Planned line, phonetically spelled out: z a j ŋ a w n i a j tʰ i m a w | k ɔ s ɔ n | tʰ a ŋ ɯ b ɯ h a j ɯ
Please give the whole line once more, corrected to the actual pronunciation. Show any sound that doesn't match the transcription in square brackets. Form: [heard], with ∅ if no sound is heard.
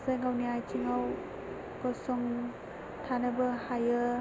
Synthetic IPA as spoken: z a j ŋ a w n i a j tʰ i [ŋ] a w | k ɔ s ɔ [ŋ] | tʰ a [n] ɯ b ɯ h a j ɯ